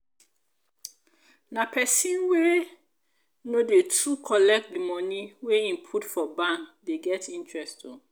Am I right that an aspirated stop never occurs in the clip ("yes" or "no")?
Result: no